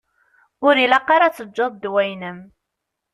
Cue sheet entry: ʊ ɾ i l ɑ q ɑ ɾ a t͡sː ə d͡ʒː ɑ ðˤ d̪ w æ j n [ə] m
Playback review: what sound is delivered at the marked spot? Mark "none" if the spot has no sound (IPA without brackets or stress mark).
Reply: ə